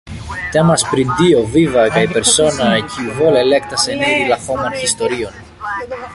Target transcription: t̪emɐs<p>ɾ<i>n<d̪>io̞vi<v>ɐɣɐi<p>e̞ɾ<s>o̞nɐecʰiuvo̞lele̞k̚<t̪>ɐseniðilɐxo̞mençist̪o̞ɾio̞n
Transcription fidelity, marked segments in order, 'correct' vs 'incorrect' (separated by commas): correct, correct, correct, correct, correct, correct, correct